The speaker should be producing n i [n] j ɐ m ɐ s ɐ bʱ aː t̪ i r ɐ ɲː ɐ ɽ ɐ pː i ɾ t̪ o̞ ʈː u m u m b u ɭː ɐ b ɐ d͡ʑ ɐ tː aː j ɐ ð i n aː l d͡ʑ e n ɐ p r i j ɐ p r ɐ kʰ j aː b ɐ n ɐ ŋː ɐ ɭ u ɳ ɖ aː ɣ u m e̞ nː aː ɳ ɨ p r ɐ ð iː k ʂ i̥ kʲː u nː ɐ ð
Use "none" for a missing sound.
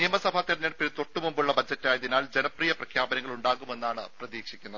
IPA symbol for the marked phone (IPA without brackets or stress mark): none